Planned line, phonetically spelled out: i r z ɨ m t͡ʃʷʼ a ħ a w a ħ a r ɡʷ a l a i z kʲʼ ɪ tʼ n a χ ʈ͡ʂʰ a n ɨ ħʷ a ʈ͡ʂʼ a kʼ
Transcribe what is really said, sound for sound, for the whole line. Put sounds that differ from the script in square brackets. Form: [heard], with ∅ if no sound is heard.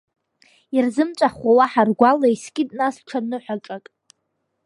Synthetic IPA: i r z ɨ m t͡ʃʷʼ a [χ] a w a ħ a r ɡʷ a l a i [s] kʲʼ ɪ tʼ n a [s] ʈ͡ʂʰ a n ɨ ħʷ a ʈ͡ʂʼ a kʼ